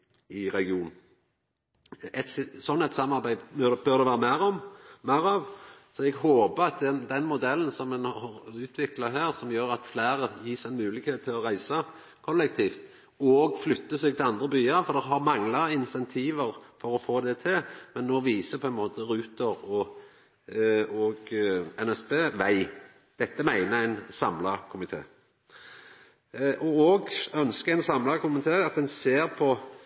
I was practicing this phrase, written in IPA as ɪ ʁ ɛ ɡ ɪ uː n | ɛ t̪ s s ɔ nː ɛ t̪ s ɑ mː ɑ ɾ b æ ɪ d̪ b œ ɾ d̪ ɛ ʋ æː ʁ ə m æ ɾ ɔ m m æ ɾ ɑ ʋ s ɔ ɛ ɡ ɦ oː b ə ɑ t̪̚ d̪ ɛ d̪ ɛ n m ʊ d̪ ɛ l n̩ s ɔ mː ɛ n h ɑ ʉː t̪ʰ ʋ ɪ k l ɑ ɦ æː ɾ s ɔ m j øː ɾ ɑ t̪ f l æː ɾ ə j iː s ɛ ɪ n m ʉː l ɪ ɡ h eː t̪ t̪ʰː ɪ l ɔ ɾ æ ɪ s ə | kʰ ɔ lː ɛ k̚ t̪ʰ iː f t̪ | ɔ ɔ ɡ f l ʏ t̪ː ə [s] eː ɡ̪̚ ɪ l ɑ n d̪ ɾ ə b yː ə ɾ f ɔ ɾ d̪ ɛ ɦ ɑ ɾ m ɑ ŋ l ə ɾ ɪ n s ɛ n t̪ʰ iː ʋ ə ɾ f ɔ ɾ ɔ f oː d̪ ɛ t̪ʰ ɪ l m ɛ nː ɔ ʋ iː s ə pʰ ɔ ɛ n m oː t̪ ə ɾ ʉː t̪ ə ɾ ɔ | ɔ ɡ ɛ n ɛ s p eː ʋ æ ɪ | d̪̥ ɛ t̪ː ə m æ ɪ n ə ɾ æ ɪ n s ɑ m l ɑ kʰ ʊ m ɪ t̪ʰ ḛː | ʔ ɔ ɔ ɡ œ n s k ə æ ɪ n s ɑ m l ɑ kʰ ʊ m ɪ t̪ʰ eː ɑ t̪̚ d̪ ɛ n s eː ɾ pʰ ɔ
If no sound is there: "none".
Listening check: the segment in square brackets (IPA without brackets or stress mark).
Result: s